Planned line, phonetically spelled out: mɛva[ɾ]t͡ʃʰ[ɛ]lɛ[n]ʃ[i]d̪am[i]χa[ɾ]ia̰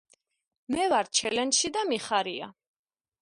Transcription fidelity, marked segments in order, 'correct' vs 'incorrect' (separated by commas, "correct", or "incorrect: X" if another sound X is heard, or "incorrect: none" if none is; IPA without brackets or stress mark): correct, correct, correct, correct, correct, correct